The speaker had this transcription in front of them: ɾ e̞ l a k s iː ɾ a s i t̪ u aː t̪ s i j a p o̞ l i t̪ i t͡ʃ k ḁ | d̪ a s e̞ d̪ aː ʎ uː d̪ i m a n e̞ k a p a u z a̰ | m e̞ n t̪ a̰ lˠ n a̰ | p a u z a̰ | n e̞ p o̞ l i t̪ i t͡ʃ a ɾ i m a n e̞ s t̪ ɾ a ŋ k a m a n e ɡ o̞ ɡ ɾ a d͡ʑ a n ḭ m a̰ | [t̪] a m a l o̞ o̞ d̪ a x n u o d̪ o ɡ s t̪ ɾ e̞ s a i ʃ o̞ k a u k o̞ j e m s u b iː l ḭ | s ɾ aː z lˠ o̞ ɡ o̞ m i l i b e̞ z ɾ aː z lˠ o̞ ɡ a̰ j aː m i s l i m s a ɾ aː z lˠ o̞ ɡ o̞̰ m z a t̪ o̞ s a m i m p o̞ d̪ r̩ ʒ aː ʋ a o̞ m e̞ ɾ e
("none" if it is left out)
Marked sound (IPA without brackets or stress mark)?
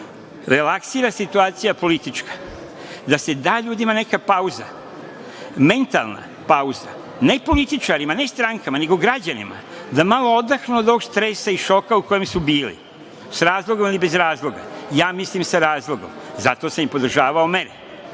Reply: d̪